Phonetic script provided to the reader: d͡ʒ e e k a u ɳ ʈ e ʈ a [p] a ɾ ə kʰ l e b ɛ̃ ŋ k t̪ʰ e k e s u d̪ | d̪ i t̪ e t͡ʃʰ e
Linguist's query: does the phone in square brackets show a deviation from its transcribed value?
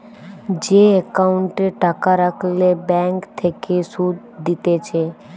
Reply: yes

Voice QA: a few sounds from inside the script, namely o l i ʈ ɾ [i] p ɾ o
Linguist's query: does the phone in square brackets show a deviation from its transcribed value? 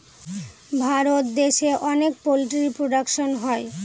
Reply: no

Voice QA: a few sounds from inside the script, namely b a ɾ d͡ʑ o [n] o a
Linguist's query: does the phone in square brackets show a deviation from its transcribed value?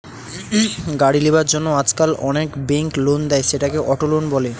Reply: yes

